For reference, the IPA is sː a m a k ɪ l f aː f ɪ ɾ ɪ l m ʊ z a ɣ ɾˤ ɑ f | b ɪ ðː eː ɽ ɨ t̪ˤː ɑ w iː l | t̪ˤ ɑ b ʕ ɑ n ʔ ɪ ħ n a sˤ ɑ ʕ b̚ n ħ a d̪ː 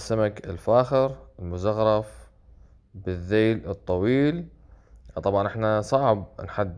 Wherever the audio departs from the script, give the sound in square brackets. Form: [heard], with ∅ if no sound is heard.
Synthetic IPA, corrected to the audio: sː a m a k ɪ l f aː [x] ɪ ɾ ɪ l m ʊ z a ɣ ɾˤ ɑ f | b ɪ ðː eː [l] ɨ t̪ˤː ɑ w iː l | t̪ˤ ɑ b ʕ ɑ n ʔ ɪ ħ n a sˤ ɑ ʕ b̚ n ħ a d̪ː